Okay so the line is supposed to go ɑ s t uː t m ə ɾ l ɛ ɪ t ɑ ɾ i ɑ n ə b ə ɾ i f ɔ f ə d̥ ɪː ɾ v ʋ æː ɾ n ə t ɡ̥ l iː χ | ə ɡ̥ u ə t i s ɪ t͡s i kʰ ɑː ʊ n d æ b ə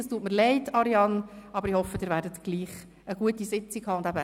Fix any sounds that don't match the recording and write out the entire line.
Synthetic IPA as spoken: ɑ s t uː t m ə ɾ l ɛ ɪ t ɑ ɾ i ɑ n ɑ b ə ɾ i h ɔ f ə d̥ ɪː ɾ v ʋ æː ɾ d ə t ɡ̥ l iː χ | ə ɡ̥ u ə t i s ɪ t͡s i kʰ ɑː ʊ n d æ b ə